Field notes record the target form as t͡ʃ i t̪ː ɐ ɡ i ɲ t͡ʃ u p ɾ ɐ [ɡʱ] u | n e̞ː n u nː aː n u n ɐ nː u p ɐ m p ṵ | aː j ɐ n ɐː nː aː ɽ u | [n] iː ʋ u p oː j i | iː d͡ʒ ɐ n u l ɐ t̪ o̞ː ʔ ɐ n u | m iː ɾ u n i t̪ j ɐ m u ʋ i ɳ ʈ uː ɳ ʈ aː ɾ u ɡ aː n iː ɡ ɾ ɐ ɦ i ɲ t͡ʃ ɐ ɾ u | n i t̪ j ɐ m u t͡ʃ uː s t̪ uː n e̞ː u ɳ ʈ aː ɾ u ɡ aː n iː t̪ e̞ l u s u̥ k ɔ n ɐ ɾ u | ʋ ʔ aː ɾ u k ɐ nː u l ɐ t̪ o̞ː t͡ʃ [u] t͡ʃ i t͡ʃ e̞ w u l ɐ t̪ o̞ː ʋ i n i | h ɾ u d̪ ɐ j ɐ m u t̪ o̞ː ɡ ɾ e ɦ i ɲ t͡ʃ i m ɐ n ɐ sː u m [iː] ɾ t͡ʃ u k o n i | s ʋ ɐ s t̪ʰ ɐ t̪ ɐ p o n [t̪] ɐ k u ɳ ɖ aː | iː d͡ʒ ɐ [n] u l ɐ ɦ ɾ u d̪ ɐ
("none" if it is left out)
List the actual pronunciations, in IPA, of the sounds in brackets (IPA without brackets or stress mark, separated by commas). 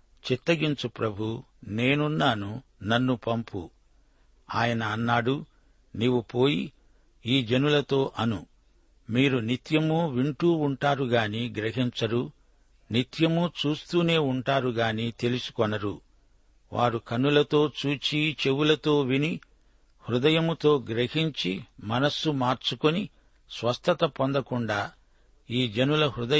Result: bʱ, n, uː, aː, d̪, n